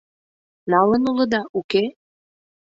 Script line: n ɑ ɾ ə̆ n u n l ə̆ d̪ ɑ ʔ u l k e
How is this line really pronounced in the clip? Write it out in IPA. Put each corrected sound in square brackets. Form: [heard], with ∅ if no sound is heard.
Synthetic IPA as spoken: n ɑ [l] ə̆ n u [∅] l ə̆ d̪ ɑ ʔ u [∅] k e